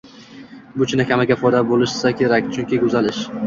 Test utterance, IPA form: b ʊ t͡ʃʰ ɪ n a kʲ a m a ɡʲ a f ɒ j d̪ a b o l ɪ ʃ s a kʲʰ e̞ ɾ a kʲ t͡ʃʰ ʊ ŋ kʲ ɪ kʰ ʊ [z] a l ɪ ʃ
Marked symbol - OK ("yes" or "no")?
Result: yes